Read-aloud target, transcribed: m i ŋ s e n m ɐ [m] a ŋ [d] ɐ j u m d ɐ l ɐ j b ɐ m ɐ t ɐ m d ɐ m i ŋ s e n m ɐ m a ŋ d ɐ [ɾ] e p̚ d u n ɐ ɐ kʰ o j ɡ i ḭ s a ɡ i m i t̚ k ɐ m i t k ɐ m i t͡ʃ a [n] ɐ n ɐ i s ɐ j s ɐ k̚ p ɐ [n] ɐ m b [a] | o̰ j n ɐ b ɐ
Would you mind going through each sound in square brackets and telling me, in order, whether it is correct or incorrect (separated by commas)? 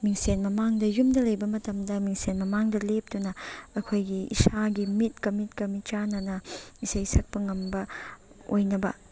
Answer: correct, correct, incorrect, correct, incorrect, incorrect